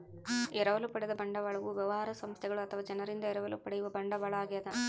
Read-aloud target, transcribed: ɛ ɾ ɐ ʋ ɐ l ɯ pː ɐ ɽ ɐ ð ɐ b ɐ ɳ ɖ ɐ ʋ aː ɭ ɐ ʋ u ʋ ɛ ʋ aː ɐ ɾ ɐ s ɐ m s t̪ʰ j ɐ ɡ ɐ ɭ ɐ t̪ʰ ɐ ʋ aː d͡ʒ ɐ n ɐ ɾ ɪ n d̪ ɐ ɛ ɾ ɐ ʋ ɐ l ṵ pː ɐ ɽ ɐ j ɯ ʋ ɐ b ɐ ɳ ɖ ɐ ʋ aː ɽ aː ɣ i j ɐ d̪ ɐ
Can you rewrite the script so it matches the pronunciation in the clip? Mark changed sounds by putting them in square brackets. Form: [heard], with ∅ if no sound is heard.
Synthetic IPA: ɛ ɾ ɐ ʋ ɐ l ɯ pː ɐ ɽ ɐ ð ɐ b ɐ ɳ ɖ ɐ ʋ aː ɭ ɐ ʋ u ʋ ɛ ʋ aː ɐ ɾ ɐ s ɐ m s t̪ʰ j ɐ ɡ ɐ ɭ ɐ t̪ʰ ɐ ʋ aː d͡ʒ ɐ n ɐ ɾ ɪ n d̪ ɐ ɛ ɾ ɐ ʋ ɐ l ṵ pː ɐ ɽ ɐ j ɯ ʋ ɐ b ɐ ɳ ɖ ɐ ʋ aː [ɭ] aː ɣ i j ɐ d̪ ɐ